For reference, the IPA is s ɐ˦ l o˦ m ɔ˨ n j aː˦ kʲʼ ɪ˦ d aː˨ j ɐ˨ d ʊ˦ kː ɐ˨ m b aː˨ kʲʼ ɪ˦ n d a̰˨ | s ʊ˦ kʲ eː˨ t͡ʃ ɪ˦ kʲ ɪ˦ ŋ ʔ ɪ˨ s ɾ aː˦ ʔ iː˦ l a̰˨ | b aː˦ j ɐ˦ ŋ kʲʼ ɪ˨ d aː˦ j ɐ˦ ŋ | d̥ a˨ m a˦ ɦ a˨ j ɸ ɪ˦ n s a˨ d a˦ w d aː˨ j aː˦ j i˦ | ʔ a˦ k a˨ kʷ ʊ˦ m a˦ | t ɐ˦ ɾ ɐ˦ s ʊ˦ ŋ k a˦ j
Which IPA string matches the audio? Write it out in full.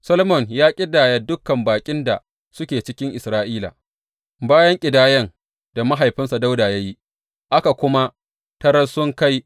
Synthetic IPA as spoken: s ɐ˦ l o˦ m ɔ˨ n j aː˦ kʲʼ ɪ˦ d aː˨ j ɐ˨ d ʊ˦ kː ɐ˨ m b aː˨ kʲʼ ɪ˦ n d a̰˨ | s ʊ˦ kʲ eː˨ t͡ʃ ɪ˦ kʲ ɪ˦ ŋ ʔ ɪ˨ s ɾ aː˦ ʔ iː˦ l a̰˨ | b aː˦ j ɐ˦ ŋ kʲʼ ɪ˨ d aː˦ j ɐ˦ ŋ | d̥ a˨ m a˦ ɦ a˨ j ɸ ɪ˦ n s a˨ d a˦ w d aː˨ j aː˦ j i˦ | ʔ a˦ k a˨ kʷ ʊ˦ m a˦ | t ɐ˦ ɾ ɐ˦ s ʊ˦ ŋ k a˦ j

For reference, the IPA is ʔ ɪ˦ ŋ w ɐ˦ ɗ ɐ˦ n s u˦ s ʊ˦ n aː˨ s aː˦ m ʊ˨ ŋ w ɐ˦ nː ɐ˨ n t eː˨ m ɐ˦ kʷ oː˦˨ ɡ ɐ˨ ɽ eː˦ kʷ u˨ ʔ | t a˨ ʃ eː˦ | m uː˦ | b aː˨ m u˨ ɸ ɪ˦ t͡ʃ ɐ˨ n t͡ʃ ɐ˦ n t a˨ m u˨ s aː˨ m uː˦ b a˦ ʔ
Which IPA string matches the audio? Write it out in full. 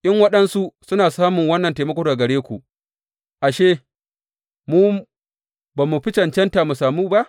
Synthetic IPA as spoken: ʔ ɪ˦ ŋ w ɐ˦ ɗ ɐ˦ n s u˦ s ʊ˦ n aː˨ s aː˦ m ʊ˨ ŋ w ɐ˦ nː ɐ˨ n t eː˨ m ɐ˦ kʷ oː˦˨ ɡ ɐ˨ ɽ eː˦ kʷ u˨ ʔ | ʔ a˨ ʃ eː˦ | m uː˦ | b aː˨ m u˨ ɸ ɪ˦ t͡ʃ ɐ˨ n t͡ʃ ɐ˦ n t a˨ m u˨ s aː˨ m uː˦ b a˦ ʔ

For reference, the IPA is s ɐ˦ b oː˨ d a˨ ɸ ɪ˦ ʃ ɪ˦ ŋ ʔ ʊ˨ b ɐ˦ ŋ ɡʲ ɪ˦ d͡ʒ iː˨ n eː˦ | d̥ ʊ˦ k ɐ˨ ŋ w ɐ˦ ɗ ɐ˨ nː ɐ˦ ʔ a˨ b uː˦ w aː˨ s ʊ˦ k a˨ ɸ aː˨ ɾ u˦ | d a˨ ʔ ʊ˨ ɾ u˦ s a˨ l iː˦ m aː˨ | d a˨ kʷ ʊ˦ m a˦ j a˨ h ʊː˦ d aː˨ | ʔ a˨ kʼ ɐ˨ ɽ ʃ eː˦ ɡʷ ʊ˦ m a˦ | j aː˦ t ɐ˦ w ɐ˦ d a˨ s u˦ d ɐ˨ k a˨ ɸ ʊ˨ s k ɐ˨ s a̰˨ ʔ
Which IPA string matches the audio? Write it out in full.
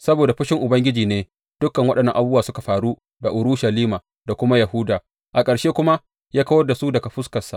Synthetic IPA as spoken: s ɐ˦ b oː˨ d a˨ ɸ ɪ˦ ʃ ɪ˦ ŋ ʔ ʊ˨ b ɐ˦ ŋ ɡʲ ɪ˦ d͡ʒ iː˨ n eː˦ | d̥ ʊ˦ k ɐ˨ ŋ w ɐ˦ ɗ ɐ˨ nː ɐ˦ ʔ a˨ b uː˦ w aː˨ s ʊ˦ k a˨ ɸ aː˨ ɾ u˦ | d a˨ ʔ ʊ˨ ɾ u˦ ʃ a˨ l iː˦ m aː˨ | d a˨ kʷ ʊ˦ m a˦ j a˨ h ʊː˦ d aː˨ | ʔ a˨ kʼ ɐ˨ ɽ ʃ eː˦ kʷ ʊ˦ m a˦ | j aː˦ k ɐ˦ w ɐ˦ d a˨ s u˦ d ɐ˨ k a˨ ɸ ʊ˦ s k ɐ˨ s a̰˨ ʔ

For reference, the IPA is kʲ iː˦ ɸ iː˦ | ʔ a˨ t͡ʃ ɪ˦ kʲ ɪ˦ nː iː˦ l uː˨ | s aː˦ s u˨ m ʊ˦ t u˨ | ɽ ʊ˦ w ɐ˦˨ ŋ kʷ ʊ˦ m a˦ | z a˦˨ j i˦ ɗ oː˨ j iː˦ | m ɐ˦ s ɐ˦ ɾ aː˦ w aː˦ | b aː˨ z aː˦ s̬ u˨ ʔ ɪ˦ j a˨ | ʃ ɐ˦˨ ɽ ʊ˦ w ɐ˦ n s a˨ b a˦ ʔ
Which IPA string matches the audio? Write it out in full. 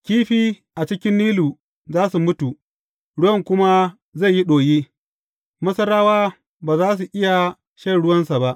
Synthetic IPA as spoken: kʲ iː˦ ɸ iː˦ | ʔ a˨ t͡ʃ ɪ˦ kʲ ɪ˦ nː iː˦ l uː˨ | z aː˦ s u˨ m ʊ˦ t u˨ | ɽ ʊ˦ w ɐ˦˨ ŋ kʷ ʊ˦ m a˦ | z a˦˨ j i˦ ɗ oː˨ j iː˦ | m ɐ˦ s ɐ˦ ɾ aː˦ w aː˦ | b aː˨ z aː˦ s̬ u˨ ʔ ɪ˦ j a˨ | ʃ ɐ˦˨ ɽ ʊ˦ w ɐ˦ n s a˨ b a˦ ʔ

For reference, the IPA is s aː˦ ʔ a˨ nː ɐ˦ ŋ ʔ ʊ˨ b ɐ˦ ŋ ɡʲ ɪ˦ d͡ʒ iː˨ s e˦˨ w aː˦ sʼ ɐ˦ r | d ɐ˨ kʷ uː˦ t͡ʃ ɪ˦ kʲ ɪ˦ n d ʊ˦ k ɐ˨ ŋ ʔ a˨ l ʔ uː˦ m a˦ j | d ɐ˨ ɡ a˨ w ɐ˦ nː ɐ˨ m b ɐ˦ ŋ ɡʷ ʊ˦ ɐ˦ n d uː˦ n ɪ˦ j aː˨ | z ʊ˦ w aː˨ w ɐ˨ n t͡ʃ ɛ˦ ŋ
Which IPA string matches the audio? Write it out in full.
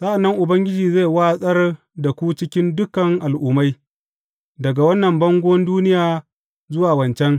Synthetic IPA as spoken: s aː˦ ʔ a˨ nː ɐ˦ ŋ ʔ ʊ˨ b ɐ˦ ŋ ɡʲ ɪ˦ d͡ʒ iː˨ z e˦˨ w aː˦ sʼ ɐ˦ r | d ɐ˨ kʷ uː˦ t͡ʃ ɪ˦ kʲ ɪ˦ n d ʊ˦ k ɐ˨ ŋ ʔ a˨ l ʔ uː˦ m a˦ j | d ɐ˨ ɡ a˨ w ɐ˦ nː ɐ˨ m b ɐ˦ ŋ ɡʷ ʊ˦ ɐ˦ n d uː˦ n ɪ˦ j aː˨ | z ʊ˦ w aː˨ w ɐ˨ n t͡ʃ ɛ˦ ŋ

